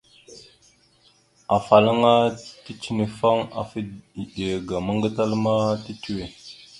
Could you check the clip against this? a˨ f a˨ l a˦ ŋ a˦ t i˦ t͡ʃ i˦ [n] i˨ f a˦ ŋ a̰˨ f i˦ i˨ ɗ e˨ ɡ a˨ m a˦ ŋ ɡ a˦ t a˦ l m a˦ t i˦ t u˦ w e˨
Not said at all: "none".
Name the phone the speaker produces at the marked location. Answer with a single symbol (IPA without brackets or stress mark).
n